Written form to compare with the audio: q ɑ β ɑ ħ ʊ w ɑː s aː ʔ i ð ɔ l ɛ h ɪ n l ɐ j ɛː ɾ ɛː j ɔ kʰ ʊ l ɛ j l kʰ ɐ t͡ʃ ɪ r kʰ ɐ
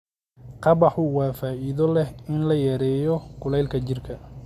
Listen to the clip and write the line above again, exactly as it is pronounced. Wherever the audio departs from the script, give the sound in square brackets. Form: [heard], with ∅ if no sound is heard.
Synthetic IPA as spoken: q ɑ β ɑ ħ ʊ w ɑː [f] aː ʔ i ð ɔ l ɛ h ɪ n l ɐ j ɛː ɾ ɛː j ɔ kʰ ʊ l ɛ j l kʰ ɐ t͡ʃ ɪ r kʰ ɐ